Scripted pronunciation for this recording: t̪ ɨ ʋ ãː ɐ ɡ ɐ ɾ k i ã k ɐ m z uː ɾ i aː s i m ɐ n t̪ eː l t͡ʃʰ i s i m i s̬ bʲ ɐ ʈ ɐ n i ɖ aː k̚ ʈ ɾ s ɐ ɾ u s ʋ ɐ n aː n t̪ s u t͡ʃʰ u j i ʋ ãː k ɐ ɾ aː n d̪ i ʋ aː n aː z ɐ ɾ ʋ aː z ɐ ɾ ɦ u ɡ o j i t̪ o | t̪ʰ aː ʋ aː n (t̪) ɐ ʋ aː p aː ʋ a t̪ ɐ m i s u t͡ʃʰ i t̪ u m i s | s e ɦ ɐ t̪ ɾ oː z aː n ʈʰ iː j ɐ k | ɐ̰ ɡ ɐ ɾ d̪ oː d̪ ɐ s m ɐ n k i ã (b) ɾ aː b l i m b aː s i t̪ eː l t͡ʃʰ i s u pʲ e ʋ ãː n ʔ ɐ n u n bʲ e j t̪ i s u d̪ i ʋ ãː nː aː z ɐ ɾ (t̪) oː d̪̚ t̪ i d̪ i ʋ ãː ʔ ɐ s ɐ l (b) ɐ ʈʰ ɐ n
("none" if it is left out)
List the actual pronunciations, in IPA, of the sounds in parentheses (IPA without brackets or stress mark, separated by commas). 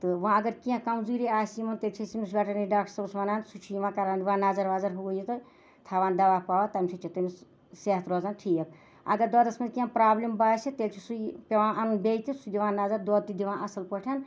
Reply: d̪, p, d̪, p